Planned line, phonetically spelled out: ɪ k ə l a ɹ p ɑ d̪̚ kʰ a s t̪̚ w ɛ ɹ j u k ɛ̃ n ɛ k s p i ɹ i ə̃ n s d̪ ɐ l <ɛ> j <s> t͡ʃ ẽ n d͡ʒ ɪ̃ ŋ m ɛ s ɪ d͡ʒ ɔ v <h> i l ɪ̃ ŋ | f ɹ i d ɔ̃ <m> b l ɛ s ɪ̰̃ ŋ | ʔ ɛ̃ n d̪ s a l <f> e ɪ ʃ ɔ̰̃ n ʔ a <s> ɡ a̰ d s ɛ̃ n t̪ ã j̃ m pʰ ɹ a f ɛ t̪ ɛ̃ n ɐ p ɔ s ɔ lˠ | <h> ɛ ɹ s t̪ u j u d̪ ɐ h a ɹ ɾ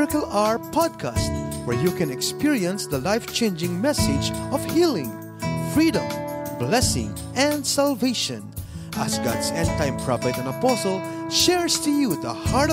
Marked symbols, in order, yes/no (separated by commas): no, no, yes, yes, no, yes, no